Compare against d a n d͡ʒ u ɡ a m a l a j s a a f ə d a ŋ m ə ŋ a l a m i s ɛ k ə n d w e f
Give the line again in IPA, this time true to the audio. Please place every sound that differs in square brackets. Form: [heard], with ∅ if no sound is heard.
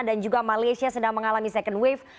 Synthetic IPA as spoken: d a n d͡ʒ u ɡ a m a l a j s [i] a [s] ə d a ŋ m ə ŋ a l a m i s ɛ k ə n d w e f

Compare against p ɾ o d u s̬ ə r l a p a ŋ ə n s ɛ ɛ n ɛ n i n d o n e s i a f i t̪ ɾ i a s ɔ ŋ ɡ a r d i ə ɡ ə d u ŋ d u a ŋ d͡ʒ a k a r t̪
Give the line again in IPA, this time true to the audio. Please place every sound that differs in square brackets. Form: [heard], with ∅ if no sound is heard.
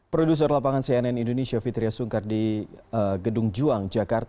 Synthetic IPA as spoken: p ɾ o d u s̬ ə r l a p a ŋ [a] n s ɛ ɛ n ɛ n i n d o n e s i a f i t̪ ɾ i a s [u] ŋ [k] a r d i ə ɡ ə d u ŋ [d͡ʒ] u a ŋ d͡ʒ a k a r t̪

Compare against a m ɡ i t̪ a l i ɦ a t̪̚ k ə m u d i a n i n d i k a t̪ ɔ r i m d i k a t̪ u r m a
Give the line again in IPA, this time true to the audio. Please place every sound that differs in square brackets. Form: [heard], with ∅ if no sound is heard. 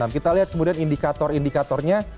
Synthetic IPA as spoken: a m [k] i t̪ a l i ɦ a t̪̚ k ə m u d i a n i n d i k a t̪ ɔ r i [n] d i k a t̪ [ɔ] r [ɲ] a

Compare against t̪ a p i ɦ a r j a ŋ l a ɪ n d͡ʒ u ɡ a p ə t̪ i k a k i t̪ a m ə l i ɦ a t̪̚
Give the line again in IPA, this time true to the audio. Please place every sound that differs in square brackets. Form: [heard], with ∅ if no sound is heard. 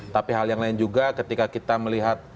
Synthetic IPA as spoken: t̪ a p i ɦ a [l] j a ŋ l a ɪ n d͡ʒ u ɡ a [k] ə t̪ i k a k i t̪ a m ə l i ɦ a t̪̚

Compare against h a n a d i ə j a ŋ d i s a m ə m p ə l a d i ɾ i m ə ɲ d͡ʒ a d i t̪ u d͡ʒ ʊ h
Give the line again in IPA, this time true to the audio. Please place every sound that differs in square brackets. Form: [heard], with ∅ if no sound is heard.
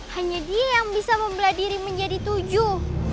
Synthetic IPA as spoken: h a [ɲ] a d i [a] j a ŋ [b] i s a m ə m [b] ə l a d i ɾ i m ə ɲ d͡ʒ a d i t̪ u d͡ʒ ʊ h

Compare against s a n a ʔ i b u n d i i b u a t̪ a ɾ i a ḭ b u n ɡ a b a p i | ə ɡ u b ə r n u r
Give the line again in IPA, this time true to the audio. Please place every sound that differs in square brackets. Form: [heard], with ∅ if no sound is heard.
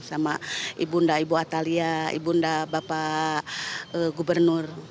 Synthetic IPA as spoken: s a [m] a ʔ i b u n d [a] i b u a t̪ a [l] i a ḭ b u n [d] a b a p [a] | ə ɡ u b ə r n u r

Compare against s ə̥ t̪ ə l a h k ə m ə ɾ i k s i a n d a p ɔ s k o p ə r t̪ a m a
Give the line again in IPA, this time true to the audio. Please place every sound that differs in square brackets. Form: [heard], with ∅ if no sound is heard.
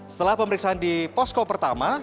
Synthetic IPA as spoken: s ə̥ t̪ ə l a h [p] ə m ə ɾ i k s [a] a n d [i] p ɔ s k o p ə r t̪ a m a

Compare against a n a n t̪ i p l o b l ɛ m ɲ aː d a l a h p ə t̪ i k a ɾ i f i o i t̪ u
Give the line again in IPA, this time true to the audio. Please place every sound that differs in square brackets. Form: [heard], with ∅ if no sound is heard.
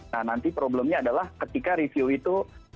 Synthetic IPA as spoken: a n a n t̪ i p [ɾ] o b l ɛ m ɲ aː d a l a h [k] ə t̪ i k a ɾ i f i o i t̪ u

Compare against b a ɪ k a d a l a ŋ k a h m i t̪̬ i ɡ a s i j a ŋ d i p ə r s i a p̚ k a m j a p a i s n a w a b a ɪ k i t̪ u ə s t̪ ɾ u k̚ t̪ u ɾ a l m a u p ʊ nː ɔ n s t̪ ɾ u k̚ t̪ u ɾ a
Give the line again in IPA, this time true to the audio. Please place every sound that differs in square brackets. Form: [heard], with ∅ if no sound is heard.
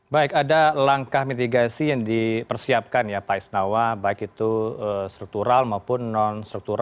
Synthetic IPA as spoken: b a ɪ k a d a l a ŋ k a h m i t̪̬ i ɡ a s i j a ŋ d i p ə r s i a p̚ k a [n] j a p a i s n a w a b a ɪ k i t̪ u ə s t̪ ɾ u k̚ t̪ u ɾ a l m a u p ʊ nː ɔ n s t̪ ɾ u k̚ t̪ u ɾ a

